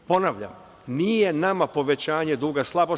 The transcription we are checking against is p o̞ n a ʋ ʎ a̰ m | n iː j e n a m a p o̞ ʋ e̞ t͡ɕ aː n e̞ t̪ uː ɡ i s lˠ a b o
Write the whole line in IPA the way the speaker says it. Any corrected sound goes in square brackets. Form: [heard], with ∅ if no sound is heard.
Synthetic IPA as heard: p o̞ n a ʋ ʎ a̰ m | n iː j e n a m a p o̞ ʋ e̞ t͡ɕ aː [ɲ] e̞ [d̪] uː ɡ [a] s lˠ a b o